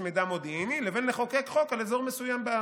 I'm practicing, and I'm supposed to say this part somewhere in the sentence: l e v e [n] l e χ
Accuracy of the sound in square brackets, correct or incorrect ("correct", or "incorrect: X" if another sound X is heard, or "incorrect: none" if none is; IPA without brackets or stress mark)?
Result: correct